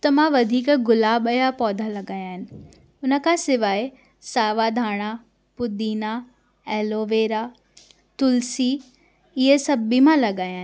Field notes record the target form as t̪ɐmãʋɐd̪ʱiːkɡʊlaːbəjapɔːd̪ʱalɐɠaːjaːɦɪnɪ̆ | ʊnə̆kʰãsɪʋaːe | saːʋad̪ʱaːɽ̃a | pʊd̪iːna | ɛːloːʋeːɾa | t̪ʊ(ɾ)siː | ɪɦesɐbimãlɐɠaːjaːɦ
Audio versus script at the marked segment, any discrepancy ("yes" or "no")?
yes